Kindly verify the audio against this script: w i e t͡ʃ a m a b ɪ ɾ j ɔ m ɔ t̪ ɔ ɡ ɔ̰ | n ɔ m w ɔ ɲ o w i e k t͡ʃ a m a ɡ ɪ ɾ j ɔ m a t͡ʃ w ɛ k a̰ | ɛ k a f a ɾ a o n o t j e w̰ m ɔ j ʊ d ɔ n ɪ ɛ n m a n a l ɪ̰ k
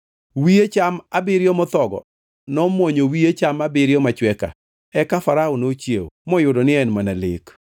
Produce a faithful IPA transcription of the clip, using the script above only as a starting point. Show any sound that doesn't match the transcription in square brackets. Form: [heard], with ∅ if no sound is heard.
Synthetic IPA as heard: w i e t͡ʃ a m a b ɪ ɾ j ɔ m ɔ t̪ ɔ ɡ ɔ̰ | n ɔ m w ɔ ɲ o w i e [∅] t͡ʃ a m a [b] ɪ ɾ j ɔ m a t͡ʃ w ɛ k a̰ | ɛ k a f a ɾ a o n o [t͡ʃ] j e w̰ m ɔ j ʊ d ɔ n ɪ ɛ n m a n a l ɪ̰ k